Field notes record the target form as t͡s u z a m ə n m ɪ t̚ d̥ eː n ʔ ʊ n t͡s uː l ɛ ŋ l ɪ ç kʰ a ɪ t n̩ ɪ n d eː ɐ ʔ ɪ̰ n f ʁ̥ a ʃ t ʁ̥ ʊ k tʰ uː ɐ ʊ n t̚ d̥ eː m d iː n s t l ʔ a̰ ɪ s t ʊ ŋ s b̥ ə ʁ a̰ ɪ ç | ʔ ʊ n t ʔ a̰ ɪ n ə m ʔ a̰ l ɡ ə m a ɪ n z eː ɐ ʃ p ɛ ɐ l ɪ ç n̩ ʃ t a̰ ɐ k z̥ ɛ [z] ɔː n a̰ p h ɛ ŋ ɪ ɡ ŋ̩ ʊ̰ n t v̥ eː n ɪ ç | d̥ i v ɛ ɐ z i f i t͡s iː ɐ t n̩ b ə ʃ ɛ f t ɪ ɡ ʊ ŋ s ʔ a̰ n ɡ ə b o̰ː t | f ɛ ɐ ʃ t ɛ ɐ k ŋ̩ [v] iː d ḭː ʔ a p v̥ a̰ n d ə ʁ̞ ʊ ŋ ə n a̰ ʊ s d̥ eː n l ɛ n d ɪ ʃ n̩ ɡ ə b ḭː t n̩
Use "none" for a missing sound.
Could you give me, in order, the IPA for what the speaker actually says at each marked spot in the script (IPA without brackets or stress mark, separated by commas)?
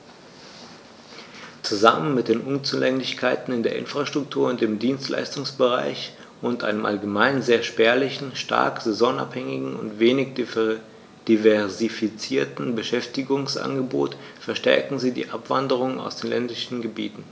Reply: z, z